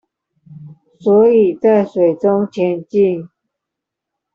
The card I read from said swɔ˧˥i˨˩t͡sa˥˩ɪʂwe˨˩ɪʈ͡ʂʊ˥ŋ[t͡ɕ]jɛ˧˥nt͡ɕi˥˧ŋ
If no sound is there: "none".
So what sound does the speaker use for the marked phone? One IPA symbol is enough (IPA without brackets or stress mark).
t͡ɕʰ